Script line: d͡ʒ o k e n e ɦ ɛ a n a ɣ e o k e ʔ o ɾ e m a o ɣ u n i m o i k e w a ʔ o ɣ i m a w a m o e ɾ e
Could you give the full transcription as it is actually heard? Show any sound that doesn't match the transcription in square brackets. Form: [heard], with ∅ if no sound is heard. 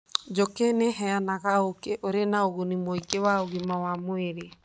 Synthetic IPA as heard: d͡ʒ o k e n e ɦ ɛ a n a ɣ [a] o k e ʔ o ɾ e [n] a o ɣ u n i m o i k e w a [∅] o ɣ i m a w a m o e ɾ e